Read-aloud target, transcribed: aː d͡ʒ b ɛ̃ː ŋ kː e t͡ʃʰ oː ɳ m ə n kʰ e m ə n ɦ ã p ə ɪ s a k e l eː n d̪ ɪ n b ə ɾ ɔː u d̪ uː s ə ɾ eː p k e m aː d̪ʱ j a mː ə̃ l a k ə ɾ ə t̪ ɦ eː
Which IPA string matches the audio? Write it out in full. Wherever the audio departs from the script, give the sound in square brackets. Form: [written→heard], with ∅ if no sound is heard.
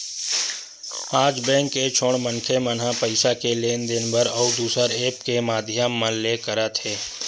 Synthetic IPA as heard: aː d͡ʒ b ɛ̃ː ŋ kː e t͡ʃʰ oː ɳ m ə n kʰ e m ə n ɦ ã p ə ɪ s a k e l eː n d̪ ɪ n b ə ɾ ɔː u d̪ uː s ə ɾ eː p k e m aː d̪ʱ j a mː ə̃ l [a→e] k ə ɾ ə t̪ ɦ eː